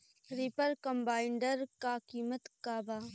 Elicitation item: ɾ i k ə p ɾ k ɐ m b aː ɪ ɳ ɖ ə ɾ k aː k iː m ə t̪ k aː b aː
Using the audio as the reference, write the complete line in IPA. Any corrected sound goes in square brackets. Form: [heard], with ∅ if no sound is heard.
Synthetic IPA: ɾ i [p] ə [∅] ɾ k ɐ m b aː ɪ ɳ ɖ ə ɾ k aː k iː m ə t̪ k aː b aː